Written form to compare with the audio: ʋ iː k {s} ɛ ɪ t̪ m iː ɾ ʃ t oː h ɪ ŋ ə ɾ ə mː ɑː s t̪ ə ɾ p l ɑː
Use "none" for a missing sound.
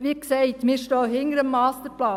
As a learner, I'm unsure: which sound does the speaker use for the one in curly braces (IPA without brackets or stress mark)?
s